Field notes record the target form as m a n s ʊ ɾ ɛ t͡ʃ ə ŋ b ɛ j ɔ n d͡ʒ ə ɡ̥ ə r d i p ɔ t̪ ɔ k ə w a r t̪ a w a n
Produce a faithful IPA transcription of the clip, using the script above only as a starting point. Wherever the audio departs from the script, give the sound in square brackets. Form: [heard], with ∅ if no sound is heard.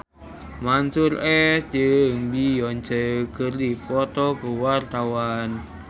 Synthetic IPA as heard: m a n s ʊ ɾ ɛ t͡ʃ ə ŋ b [i] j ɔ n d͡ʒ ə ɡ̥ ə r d i p ɔ t̪ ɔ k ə w a r t̪ a w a n